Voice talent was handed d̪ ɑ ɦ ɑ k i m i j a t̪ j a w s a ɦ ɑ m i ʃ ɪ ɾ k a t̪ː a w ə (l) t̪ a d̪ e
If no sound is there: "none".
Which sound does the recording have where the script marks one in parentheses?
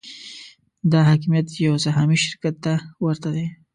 ɾ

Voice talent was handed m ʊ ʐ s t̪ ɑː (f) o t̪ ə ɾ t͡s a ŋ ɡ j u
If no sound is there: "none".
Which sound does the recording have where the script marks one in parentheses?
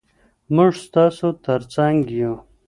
s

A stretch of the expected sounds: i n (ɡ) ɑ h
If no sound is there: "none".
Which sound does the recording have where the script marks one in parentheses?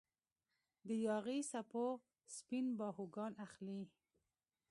b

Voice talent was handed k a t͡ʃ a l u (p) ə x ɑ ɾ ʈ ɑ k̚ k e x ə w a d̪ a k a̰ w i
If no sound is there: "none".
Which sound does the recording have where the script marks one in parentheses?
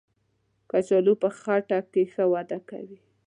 p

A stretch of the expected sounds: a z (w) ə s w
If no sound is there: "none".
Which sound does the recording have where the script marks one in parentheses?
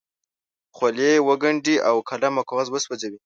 w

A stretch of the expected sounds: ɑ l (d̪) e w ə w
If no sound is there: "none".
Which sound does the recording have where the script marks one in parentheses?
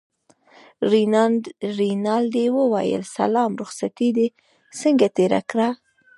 d̪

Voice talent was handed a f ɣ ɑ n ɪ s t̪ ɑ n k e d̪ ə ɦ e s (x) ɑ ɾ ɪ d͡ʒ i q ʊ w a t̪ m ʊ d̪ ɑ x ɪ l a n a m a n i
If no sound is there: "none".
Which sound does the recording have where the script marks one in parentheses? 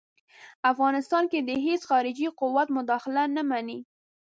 x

